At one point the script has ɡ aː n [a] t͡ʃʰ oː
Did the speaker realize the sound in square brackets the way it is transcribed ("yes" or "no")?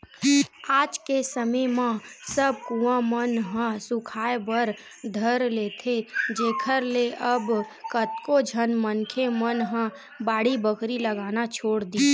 yes